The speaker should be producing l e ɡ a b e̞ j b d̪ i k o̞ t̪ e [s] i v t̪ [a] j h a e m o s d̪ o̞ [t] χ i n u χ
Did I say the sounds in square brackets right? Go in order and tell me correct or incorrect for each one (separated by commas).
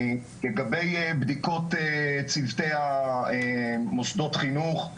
incorrect, incorrect, correct